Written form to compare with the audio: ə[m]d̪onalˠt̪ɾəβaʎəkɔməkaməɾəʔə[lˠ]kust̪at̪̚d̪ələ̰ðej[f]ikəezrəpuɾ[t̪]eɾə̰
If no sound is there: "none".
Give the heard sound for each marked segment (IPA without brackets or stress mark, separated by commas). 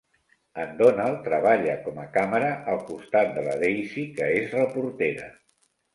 n, lˠ, s, t̪